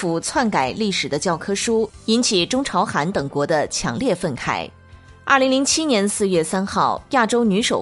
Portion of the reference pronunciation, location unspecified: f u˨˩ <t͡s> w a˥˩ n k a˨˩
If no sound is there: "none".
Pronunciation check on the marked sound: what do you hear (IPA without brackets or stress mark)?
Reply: t͡sʰ